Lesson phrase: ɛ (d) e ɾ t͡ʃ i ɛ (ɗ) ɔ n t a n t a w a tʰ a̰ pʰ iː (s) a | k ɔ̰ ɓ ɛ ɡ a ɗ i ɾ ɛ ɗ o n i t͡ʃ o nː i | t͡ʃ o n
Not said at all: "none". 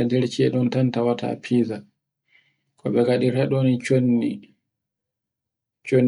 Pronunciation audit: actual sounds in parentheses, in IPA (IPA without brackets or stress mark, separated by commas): d, ɗ, z